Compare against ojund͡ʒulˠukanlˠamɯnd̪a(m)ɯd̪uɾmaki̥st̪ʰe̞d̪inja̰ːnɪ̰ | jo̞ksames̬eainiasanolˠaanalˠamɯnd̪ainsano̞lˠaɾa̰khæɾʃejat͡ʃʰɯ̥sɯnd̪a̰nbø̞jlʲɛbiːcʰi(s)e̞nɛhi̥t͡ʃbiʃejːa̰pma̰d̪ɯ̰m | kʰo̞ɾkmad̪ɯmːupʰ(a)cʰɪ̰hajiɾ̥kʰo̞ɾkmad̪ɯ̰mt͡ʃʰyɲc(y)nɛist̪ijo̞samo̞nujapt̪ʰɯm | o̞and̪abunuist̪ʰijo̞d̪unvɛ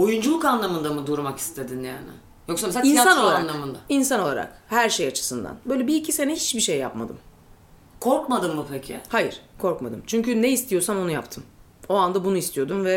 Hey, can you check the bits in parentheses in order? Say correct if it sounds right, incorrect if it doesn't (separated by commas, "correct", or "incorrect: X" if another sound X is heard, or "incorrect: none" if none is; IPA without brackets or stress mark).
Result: correct, correct, incorrect: e, correct